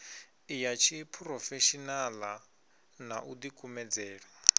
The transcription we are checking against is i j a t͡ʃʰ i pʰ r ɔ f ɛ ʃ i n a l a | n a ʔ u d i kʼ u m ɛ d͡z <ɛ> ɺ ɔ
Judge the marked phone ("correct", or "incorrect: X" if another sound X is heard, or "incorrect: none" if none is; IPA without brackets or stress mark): incorrect: ɛː